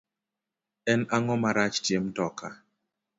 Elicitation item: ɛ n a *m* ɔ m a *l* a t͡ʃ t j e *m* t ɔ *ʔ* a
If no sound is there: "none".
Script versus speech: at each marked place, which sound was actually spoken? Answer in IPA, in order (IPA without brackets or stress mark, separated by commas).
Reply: ŋ, ɾ, m, k